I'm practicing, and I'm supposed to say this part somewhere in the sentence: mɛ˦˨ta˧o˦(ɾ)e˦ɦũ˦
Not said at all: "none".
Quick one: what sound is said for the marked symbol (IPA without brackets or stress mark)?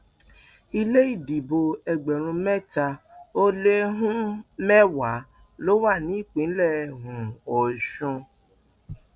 l